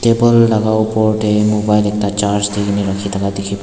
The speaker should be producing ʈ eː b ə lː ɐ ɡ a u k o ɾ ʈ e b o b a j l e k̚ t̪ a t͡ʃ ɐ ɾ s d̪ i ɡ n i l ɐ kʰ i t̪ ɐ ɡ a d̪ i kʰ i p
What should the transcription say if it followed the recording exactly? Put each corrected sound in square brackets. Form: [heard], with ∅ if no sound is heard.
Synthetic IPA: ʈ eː b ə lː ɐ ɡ a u [p] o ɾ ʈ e [m] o b a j l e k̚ t̪ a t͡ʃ [a] ɾ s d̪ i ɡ n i [ɾ] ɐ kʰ i t̪ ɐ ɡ a d̪ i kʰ i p